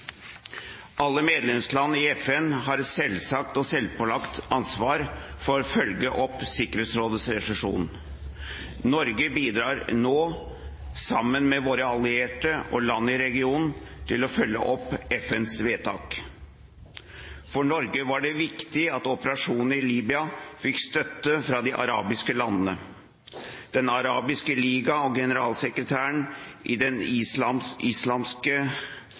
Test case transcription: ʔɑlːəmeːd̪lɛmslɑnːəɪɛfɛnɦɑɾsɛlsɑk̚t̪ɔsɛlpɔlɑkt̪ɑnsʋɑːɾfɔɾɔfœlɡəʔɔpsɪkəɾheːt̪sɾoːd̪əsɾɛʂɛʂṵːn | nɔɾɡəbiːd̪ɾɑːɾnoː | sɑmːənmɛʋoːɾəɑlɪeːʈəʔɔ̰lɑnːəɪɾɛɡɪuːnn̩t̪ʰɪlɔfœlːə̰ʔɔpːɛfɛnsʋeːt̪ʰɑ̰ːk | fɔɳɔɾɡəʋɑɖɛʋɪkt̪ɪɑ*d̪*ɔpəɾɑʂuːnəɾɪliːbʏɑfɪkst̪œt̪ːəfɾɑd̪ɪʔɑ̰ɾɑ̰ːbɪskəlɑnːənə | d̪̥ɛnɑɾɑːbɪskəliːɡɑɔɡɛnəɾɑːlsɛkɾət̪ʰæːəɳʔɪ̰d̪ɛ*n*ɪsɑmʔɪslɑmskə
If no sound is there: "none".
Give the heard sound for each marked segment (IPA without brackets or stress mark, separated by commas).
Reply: t̪, n